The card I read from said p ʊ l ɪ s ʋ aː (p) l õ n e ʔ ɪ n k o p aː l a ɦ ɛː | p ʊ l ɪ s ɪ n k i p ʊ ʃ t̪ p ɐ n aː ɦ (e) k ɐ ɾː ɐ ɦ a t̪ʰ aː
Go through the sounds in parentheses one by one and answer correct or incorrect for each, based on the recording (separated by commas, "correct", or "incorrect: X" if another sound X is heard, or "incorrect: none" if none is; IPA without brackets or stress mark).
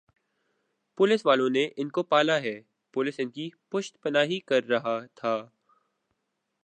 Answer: incorrect: none, incorrect: i